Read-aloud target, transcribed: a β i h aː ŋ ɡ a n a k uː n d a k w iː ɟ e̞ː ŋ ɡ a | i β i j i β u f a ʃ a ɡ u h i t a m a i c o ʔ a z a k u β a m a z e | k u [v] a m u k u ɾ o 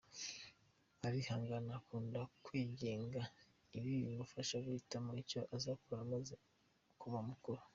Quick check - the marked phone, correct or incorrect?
incorrect